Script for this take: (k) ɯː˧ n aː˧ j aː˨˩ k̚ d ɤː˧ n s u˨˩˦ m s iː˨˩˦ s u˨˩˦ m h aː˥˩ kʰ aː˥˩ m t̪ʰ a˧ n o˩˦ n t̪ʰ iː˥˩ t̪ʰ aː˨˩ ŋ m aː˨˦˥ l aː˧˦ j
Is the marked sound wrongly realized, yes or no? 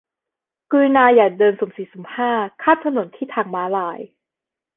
no